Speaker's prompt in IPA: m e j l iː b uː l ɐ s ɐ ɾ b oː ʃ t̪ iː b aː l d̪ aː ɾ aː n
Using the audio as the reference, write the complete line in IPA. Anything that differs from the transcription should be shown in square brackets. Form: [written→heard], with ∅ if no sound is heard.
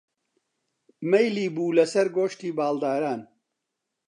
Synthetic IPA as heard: m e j l iː b uː l ɐ s ɐ ɾ [b→ɡ] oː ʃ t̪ iː b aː l d̪ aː ɾ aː n